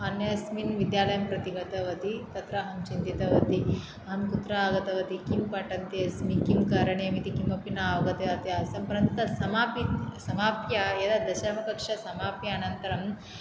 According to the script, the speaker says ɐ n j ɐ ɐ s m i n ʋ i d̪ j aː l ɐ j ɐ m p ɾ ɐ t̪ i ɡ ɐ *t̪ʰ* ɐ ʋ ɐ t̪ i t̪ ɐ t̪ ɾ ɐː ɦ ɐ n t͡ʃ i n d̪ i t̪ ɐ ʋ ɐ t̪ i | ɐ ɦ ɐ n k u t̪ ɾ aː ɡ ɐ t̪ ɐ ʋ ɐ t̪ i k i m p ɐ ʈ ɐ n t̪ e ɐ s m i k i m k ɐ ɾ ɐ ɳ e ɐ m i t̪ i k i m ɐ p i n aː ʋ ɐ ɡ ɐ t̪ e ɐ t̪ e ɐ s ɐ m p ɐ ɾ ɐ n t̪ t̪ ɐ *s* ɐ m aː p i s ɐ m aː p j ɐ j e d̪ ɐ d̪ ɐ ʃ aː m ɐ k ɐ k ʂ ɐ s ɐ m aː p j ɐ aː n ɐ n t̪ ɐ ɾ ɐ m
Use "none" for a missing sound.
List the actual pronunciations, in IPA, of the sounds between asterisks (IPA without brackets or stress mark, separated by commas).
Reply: t̪, s